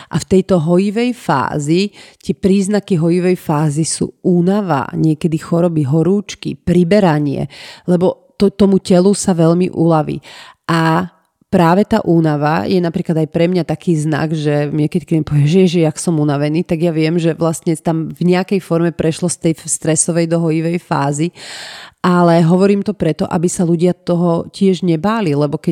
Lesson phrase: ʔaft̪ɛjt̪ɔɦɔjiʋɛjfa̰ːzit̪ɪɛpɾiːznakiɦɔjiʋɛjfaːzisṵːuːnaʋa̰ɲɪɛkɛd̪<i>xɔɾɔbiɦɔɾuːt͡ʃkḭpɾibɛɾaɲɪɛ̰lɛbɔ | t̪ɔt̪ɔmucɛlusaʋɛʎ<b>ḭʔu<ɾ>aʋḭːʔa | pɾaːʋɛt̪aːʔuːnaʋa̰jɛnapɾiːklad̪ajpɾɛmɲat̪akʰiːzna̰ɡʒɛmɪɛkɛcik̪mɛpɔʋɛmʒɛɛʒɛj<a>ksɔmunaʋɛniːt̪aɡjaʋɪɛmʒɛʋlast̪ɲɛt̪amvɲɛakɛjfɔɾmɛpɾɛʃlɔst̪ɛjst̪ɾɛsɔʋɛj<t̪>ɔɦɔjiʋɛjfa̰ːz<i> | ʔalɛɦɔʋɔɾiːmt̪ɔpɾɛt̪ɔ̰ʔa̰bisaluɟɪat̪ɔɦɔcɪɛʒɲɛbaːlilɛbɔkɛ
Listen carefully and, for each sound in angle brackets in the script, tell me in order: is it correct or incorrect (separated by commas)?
correct, incorrect, incorrect, correct, incorrect, correct